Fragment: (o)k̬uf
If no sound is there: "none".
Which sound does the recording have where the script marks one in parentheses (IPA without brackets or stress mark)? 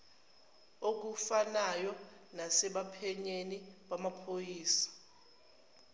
o